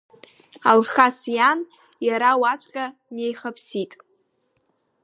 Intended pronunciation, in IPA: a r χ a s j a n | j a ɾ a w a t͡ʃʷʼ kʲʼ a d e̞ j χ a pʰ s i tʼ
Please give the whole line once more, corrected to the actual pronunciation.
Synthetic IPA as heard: a l χ a s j a n | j a ɾ a w a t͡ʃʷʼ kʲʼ a n e̞ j χ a pʰ s i tʼ